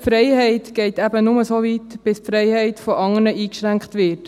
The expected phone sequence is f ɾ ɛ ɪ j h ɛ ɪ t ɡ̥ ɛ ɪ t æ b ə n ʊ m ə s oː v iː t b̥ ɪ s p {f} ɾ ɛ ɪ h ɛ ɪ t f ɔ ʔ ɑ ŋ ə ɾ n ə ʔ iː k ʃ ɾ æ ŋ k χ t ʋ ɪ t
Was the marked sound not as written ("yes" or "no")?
no